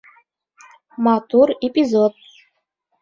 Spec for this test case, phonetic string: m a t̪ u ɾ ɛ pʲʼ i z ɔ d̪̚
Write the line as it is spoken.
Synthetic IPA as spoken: m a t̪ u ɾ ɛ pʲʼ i z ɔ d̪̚